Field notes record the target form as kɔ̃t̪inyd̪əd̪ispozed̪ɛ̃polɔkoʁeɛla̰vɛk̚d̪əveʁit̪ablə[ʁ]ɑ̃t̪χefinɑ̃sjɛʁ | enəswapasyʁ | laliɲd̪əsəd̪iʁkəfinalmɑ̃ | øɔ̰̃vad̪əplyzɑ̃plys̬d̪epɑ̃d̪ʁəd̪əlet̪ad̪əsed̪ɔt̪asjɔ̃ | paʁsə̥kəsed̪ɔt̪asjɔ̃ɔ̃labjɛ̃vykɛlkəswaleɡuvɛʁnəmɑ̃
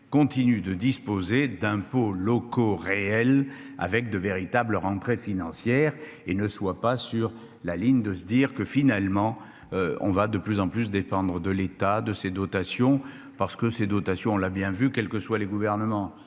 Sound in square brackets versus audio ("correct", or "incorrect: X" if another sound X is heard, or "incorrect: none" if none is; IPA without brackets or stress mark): correct